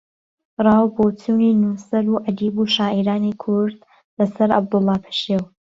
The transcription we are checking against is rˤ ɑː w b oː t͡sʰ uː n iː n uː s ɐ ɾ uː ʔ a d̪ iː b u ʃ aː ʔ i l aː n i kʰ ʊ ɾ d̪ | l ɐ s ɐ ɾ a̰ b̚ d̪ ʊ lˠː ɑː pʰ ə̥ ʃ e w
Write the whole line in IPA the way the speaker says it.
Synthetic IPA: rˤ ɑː w b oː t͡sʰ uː n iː n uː s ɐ ɾ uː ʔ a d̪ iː b u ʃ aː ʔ i ɾ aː n i kʰ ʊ ɾ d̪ | l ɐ s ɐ ɾ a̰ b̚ d̪ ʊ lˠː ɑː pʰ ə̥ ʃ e w